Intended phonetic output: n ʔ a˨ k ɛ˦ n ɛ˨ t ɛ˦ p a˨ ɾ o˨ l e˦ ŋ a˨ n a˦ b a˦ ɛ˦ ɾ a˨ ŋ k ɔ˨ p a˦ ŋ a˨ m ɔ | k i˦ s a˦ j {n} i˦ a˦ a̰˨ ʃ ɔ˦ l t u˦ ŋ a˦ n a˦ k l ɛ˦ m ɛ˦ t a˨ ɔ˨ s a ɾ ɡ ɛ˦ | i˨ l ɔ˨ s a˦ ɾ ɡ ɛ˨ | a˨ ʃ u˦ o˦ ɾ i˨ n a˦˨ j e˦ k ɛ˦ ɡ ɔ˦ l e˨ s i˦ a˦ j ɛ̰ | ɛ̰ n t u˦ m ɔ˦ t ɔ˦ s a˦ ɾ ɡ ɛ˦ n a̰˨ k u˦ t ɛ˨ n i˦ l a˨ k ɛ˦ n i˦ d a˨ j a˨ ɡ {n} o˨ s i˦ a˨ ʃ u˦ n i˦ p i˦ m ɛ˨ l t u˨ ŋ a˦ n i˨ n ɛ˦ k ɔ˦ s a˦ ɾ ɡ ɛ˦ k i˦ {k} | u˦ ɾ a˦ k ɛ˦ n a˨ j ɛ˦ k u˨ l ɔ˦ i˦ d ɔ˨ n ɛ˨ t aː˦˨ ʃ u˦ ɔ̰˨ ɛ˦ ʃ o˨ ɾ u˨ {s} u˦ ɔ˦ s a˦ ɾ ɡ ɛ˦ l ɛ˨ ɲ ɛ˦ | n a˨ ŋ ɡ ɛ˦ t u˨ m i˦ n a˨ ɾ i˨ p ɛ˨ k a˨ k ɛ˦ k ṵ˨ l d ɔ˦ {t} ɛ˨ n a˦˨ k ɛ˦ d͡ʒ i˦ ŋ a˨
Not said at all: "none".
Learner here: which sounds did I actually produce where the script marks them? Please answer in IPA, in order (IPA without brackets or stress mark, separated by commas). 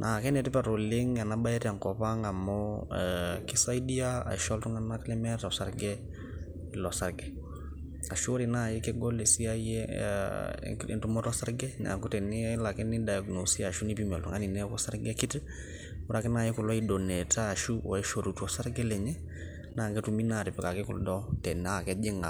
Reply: d, n, t, t, t